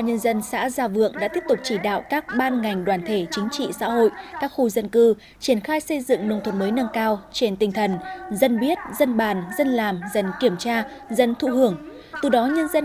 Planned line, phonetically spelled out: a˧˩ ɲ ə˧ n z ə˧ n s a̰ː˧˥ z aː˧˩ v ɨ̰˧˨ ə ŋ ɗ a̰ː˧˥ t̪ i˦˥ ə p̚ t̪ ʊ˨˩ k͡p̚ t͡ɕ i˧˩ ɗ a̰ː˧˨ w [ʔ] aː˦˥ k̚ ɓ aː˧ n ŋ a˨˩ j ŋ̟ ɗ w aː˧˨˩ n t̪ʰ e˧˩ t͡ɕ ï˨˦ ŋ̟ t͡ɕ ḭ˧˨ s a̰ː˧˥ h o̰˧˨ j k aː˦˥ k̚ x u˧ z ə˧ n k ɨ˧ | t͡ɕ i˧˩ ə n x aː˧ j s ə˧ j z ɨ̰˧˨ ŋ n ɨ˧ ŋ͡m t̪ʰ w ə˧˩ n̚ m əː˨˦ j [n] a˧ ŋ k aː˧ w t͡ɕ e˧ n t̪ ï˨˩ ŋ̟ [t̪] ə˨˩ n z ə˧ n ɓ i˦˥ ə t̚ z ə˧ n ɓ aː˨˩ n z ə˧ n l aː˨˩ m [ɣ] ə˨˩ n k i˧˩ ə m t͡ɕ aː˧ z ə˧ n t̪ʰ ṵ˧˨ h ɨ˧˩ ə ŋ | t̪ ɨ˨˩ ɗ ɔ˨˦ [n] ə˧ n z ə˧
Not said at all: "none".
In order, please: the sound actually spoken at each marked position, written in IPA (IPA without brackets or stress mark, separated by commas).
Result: k, n, t̪ʰ, z, ɲ